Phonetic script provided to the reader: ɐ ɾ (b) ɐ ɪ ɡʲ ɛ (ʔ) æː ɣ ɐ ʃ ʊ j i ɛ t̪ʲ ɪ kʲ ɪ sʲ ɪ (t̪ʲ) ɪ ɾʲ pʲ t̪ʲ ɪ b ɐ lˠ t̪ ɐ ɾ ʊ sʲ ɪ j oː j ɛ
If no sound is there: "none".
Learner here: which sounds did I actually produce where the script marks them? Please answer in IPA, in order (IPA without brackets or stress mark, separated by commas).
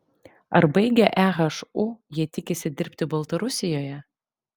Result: b, ʔ, d̪ʲ